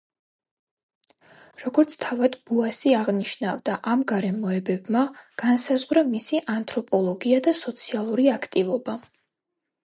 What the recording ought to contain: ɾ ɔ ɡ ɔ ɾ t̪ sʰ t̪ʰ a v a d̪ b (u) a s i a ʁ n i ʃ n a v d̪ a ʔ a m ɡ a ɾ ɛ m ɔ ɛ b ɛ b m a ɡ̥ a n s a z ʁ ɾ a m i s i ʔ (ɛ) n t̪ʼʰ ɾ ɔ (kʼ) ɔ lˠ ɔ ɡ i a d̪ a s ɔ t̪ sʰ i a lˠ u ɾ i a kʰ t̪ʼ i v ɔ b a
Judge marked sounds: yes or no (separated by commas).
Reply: yes, no, no